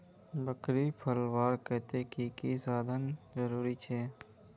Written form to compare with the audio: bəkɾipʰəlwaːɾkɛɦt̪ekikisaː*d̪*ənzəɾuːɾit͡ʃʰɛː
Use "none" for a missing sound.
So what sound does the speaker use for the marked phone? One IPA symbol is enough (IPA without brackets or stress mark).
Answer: d̪